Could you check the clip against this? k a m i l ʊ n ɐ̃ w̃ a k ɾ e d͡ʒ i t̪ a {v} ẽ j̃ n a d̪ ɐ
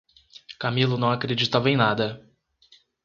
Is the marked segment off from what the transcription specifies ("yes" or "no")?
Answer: no